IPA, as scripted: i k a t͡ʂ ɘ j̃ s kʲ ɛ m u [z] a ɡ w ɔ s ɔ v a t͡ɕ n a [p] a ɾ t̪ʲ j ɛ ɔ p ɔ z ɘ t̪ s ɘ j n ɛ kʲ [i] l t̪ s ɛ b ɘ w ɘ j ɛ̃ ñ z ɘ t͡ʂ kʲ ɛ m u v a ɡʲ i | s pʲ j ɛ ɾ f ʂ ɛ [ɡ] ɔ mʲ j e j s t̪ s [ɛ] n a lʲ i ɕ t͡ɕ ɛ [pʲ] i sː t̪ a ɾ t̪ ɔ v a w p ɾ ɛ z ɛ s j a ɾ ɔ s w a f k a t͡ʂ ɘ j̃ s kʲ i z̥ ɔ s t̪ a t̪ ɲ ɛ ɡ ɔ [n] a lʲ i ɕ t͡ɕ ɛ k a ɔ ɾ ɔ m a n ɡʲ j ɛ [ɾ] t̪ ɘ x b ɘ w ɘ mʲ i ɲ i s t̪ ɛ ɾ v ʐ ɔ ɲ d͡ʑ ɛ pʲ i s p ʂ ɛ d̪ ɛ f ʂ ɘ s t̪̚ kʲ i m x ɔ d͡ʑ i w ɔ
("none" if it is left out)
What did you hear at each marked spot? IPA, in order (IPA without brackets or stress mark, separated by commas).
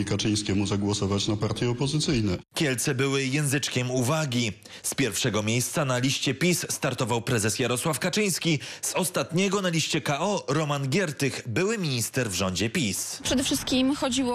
z, p, ɛ, ɡ, a, pʲ, n, ɾ